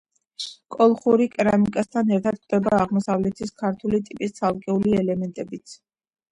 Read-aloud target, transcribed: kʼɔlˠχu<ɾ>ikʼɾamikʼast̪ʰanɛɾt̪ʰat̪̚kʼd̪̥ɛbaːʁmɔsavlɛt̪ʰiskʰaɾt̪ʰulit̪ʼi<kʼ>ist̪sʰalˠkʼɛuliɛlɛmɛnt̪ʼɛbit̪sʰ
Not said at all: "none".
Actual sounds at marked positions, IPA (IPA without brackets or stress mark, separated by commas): ɾ, pʼ